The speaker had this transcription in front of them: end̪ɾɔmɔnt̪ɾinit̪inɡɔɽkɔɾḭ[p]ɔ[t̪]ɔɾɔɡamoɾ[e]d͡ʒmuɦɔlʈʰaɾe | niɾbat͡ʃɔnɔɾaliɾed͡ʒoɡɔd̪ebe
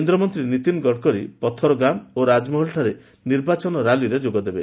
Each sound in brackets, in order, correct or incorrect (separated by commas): correct, incorrect, incorrect